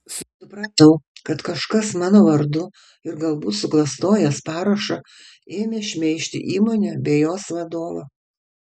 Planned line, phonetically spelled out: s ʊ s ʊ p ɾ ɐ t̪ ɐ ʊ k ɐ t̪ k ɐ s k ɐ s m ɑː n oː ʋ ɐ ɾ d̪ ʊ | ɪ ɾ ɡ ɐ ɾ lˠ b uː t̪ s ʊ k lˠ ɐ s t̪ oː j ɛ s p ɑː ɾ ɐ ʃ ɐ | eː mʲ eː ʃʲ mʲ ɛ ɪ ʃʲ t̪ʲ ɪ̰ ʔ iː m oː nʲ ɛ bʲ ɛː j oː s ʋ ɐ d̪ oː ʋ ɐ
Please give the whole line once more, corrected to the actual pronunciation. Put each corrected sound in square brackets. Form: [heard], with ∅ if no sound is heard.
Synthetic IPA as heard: s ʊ s ʊ p ɾ ɐ t̪ ɐ ʊ k ɐ t̪ k ɐ [ʃ] k ɐ s m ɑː n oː ʋ ɐ ɾ d̪ ʊ | ɪ ɾ ɡ ɐ [∅] lˠ b uː t̪ s ʊ k lˠ ɐ s t̪ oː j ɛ s p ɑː ɾ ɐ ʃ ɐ | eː mʲ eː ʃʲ mʲ ɛ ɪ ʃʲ t̪ʲ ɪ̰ ʔ iː m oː nʲ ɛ bʲ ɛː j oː s ʋ ɐ d̪ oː ʋ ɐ